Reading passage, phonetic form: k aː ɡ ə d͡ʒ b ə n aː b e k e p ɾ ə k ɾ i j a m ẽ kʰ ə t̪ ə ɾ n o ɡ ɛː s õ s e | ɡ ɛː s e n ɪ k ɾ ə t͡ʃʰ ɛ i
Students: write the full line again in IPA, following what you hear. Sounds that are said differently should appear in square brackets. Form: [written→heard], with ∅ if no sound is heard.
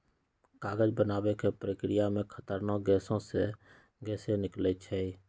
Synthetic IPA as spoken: k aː ɡ ə d͡ʒ b ə n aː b e k e p ɾ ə k ɾ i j a m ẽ kʰ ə t̪ ə ɾ n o ɡ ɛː s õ s e | ɡ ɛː s e n ɪ k [ɾ→l] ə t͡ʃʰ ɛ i